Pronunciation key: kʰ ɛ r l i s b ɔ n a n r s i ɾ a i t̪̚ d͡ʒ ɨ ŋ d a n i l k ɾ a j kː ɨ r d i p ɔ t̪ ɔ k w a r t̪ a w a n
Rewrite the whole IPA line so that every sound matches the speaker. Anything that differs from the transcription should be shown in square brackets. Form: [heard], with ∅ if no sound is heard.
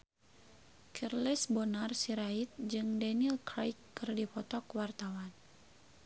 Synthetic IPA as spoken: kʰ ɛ r l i s b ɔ n a [∅] r s i ɾ a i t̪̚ d͡ʒ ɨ ŋ d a n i l k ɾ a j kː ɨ r d i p ɔ t̪ ɔ k w a r t̪ a w a n